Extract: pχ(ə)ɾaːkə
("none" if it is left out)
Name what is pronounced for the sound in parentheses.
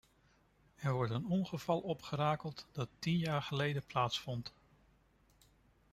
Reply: ə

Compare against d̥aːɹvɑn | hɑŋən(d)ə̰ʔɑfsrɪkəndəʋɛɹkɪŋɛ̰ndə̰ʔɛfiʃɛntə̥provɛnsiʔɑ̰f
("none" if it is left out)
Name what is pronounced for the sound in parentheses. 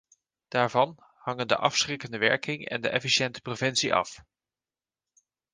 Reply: d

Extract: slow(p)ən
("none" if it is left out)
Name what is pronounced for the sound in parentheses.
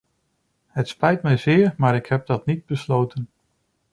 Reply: t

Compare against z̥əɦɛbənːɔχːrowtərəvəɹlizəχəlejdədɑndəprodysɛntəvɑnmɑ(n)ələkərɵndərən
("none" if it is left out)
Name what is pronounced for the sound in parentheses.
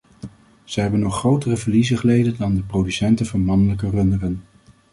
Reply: n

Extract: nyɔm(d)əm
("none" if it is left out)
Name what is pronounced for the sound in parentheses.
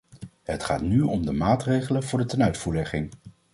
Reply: d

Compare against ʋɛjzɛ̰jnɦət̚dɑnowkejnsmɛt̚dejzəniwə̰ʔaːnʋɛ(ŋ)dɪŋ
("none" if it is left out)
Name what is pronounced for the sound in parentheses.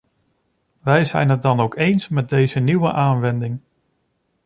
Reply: n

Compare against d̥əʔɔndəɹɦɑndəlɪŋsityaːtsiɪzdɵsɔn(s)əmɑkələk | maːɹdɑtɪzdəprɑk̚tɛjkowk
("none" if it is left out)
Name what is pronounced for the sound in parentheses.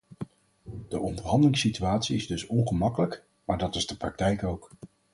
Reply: χ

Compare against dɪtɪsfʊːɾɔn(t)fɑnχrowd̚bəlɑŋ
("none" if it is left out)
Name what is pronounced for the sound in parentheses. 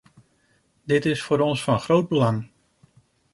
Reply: s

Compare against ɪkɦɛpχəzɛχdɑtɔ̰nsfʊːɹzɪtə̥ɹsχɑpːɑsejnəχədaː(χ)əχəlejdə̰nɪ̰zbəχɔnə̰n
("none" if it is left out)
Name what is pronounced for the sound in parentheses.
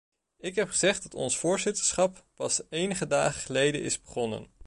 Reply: χ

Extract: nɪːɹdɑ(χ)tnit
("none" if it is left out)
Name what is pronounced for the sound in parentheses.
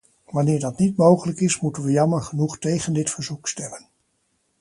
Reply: none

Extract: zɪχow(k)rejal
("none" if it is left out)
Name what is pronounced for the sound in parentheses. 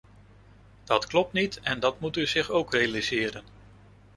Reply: k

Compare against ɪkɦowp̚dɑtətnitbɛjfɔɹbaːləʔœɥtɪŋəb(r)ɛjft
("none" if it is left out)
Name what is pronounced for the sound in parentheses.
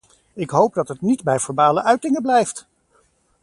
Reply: l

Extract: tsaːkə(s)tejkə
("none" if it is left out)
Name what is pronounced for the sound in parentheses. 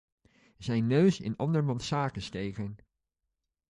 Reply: s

